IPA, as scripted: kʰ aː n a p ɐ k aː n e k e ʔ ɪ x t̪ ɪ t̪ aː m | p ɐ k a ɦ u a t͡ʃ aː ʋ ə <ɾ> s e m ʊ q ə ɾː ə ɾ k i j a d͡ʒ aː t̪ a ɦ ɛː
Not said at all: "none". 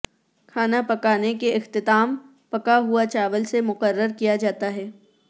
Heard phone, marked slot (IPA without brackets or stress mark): l